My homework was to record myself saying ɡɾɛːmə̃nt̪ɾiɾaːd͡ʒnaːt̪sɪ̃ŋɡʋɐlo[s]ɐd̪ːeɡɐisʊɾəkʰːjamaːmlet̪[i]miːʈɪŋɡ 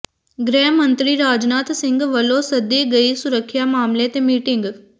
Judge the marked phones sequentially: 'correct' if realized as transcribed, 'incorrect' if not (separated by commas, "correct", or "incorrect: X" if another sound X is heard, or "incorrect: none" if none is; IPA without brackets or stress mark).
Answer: correct, incorrect: e